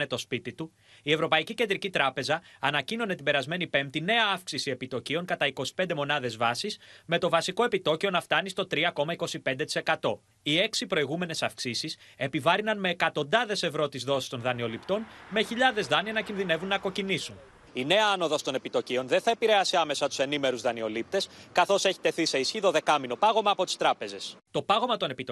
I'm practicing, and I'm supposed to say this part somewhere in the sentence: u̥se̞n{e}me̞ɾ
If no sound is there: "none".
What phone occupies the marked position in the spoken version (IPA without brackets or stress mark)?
i